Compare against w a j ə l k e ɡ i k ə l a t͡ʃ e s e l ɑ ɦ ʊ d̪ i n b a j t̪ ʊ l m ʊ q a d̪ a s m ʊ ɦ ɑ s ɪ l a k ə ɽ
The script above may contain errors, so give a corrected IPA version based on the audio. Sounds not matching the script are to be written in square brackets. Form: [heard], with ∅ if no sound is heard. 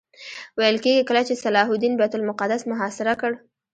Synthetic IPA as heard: w a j ə l k e ɡ i k ə l a t͡ʃ e s [a] l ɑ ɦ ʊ d̪ i n b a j t̪ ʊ l m ʊ q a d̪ a s m ʊ ɦ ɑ s ɪ [ɾ] a k ə ɽ